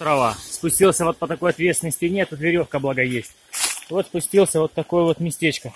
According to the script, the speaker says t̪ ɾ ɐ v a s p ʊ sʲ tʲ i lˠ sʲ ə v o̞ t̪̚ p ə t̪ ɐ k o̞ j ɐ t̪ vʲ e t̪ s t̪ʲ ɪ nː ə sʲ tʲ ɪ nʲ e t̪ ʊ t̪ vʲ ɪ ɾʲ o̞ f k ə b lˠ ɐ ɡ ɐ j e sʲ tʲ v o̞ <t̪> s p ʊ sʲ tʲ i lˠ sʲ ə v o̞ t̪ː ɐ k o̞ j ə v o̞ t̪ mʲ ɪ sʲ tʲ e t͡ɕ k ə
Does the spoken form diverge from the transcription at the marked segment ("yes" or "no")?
no